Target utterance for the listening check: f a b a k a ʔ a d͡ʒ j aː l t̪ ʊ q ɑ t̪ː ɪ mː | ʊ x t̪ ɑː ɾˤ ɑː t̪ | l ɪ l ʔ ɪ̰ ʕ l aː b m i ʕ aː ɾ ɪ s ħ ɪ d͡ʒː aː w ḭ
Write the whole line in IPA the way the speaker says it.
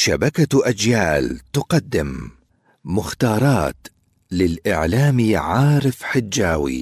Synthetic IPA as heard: ʃ a b a k a ʔ a d͡ʒ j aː l t̪ ʊ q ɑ d̪ː ɪ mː | ʊ x t̪ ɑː ɾˤ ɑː t̪ | l ɪ l ʔ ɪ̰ ʕ l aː m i ʕ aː ɾ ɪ f ħ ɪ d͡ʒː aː w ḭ